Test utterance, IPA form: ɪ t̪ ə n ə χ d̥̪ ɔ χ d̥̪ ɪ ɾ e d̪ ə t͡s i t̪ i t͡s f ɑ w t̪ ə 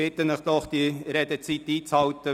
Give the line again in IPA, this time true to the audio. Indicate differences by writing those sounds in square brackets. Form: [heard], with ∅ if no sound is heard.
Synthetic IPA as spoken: ɪ t̪ ə n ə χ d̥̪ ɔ χ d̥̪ [i] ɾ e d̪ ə t͡s i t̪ [iː] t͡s [h] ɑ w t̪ ə